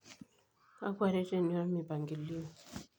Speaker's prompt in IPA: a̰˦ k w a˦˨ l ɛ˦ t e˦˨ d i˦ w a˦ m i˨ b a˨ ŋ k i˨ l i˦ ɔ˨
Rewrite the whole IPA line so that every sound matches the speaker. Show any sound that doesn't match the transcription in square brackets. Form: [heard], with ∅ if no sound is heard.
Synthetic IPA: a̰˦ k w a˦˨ [ɾ] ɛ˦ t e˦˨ [n] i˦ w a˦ m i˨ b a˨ ŋ [ɡ] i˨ l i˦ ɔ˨